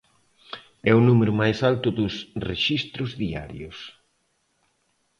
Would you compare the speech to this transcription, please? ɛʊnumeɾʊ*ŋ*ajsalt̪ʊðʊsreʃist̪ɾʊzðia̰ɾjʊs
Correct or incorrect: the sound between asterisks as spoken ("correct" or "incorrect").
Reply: incorrect